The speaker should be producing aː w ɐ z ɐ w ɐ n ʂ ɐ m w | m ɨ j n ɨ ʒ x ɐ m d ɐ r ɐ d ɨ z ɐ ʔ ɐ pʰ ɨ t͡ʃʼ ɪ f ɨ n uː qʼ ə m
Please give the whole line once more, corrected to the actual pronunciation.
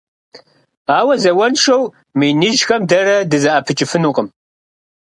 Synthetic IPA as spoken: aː w ɐ z ɐ w ɐ n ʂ ɐ w | m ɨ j n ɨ ʒ x ɐ m d ɐ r ɐ d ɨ z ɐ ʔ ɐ pʰ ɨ t͡ʃʼ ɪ f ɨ n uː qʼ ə m